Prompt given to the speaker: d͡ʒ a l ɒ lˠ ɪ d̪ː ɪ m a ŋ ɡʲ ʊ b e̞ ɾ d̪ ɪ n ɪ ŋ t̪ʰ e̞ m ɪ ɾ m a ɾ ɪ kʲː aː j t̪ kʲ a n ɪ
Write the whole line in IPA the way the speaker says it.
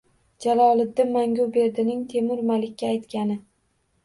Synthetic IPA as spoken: d͡ʒ a l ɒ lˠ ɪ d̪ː ɪ m a ŋ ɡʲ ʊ b e̞ ɾ d̪ ɪ n ɪ ŋ t̪ʰ e̞ m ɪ ɾ m a l ɪ kʲː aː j t̪ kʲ a n ɪ

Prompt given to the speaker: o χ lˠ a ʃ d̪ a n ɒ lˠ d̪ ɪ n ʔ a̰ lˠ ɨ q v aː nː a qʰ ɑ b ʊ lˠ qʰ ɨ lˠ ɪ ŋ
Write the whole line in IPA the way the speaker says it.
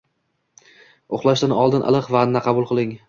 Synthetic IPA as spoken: o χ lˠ a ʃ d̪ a n ɒ lˠ d̪ ɪ n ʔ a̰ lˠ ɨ q v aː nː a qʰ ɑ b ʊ lˠ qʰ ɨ lˠ ɪ ŋ

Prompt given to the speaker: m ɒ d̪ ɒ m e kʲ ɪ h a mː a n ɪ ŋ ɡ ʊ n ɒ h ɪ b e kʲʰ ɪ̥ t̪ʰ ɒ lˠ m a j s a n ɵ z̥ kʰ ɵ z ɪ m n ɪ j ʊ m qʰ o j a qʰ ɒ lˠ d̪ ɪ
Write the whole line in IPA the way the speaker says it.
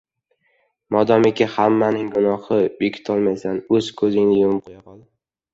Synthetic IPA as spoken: m ɒ d̪ ɒ m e kʲ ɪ h a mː a n ɪ ŋ ɡ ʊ n ɒ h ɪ b e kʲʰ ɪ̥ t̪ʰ ɒ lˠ m a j s a n ɵ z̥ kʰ ɵ z ɪ ŋ n ɪ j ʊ m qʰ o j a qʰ ɒ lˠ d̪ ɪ

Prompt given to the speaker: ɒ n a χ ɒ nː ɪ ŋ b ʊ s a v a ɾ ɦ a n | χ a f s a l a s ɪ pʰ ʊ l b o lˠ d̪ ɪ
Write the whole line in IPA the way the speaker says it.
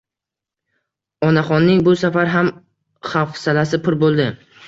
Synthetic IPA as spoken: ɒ n a χ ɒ nː ɪ ŋ b ʊ s a f a ɾ ɦ a m | χ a f s a l a s ɪ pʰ ʊ ɾ b o lˠ d̪ ɪ

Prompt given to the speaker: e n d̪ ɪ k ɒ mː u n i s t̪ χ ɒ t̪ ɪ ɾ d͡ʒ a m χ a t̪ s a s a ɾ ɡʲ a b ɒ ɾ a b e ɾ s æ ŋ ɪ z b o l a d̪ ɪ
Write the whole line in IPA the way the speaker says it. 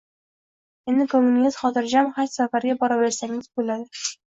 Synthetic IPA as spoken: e n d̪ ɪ k o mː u n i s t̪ χ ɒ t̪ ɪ ɾ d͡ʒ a m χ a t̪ s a f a ɾ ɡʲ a b ɒ ɾ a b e ɾ s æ ŋ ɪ z b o l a d̪ ɪ

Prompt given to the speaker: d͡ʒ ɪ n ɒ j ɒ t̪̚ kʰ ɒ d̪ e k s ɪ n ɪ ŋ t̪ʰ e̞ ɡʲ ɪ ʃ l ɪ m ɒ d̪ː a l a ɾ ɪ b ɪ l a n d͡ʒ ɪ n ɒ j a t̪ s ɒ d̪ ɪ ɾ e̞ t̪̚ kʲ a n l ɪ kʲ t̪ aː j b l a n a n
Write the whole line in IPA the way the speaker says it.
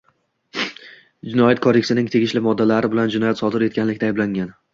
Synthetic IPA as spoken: d͡ʒ ɪ n ɒ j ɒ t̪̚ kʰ ɒ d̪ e k s ɪ n ɪ ŋ t̪ʰ e̞ ɡʲ ɪ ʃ l ɪ m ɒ d̪ː a l a ɾ ɪ b ɪ l a n d͡ʒ ɪ n ɒ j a t̪ s ɒ d̪ ɪ ɾ e̞ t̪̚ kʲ a n l ɪ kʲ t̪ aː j b l a ŋ a n

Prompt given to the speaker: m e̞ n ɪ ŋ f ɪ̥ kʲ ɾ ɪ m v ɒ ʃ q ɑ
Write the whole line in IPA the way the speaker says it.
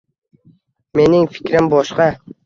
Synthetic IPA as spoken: m e̞ n ɪ ŋ f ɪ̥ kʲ ɾ ɪ m b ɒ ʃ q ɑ

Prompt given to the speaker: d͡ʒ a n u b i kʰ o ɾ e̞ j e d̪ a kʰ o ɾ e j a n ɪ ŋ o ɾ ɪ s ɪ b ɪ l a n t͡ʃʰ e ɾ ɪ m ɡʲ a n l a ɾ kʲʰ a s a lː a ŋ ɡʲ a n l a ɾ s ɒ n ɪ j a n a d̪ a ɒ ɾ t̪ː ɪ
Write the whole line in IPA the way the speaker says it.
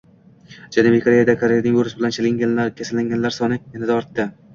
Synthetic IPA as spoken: d͡ʒ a n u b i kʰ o ɾ e̞ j a d̪ a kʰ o ɾ e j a n ɪ ŋ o ɾ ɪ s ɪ b ɪ l a n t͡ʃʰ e l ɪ ŋ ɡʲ a n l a ɾ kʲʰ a s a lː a ŋ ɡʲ a n l a ɾ s ɒ n ɪ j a n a d̪ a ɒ ɾ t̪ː ɪ

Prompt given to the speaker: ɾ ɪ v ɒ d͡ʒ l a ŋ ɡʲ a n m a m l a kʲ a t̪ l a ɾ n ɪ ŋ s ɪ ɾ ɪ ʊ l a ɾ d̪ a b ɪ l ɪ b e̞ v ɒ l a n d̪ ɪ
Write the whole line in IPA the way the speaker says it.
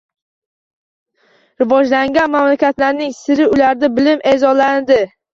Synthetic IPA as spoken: ɾ ɪ v ɒ d͡ʒ l a ŋ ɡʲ a n m a m l a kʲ a t̪ l a ɾ n ɪ ŋ s ɪ ɾ ɪ ʊ l a ɾ d̪ a b ɪ l ɪ m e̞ z ɒ l a n d̪ ɪ

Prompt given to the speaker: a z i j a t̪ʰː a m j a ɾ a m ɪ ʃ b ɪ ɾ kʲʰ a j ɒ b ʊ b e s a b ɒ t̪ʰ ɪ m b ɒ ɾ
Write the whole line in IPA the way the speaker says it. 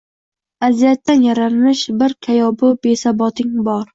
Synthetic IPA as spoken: a z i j a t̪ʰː a n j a ɾ a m ɪ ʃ b ɪ ɾ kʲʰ a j ɒ b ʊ b e s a b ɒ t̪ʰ ɪ ŋ b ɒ ɾ

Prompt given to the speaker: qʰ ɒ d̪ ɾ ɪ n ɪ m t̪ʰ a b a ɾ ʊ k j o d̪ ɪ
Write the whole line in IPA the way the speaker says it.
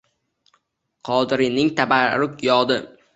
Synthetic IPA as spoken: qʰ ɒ d̪ ɾ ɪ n ɪ ŋ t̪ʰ a b a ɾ ʊ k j ɒ d̪ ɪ

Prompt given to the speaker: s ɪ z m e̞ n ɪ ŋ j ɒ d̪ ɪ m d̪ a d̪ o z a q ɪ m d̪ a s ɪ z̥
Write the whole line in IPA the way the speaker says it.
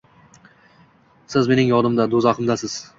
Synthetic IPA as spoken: s ɪ z m e̞ n ɪ ŋ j ɒ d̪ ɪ m d̪ a d̪ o z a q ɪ m d̪ a s ɪ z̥

